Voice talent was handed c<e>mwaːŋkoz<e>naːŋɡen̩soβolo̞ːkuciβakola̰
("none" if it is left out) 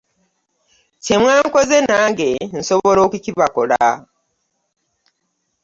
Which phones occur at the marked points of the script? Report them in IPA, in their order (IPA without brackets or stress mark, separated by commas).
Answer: e, e